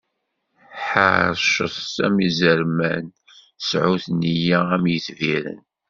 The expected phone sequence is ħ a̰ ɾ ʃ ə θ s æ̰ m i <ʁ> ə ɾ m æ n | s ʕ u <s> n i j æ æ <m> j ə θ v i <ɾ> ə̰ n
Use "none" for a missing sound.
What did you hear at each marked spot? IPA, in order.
z, θ, m, ɾ

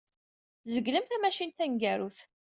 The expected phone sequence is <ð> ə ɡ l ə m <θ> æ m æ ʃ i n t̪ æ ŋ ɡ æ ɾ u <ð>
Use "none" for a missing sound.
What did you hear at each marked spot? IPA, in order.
z, θ, θ

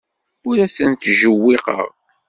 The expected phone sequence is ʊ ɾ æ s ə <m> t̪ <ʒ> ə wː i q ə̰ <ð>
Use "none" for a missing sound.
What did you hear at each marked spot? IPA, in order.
n, ʒ, ʁ

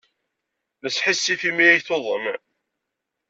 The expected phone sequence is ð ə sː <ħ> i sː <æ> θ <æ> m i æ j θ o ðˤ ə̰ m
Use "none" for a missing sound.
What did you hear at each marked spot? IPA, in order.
ħ, i, i

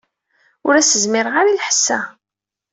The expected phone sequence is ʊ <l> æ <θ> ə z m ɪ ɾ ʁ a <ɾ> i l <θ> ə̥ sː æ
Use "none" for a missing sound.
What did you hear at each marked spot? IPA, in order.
ɾ, s, ɾ, ħ

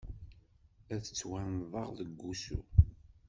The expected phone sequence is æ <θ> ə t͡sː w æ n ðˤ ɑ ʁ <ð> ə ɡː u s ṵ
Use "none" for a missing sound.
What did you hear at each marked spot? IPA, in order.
θ, ð

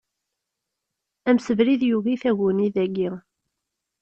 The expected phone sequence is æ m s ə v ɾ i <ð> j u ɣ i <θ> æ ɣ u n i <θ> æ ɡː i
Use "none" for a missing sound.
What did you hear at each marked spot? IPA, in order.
ð, θ, ð

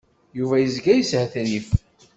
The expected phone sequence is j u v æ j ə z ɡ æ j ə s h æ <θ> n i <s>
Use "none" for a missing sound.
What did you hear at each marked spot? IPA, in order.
θ, f

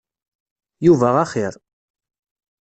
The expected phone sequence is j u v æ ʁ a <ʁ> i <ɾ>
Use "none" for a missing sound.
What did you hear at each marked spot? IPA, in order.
χ, ɾ

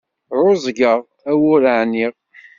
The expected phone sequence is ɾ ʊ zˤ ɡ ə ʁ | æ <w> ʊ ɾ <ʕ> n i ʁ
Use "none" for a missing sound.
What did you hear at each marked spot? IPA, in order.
w, ʕ

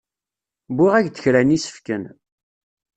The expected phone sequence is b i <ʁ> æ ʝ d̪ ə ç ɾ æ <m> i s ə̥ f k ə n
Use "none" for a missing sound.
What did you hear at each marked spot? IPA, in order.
ʁ, n

